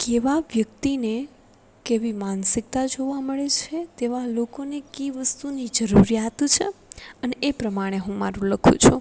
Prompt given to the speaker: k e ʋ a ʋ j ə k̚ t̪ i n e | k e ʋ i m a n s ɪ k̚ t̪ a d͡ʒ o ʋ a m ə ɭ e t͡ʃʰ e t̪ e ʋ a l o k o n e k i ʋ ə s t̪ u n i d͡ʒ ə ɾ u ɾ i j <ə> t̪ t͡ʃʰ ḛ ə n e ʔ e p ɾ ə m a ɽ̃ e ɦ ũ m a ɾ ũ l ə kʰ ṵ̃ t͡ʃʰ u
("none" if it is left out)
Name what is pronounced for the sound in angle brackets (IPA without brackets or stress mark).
a